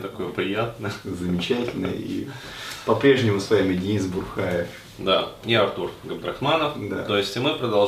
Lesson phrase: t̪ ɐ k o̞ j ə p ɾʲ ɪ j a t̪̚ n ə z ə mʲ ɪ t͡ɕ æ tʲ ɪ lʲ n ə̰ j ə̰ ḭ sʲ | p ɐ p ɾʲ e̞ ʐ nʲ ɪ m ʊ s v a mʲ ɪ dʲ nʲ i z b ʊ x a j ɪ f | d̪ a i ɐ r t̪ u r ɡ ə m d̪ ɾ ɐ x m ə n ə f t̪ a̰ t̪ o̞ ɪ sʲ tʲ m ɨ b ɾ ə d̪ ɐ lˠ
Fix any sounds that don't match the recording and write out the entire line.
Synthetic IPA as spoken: t̪ ɐ k o̞ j ə p ɾʲ ɪ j a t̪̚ n ə z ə mʲ ɪ t͡ɕ æ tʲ ɪ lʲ n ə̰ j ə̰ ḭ | p ɐ p ɾʲ e̞ ʐ nʲ ɪ m ʊ s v a mʲ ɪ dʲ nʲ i z b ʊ x a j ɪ f | d̪ a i ɐ r t̪ u r ɡ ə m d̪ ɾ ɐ x m a n ə f d̪ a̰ t̪ o̞ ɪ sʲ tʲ m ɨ p ɾ ə d̪ ɐ lˠ